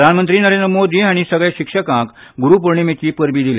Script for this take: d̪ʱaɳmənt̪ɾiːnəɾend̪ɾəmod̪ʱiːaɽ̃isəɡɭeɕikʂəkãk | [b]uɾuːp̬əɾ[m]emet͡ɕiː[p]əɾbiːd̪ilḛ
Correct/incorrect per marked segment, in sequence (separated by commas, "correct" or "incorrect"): incorrect, incorrect, correct